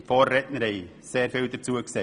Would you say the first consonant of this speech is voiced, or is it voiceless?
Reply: voiceless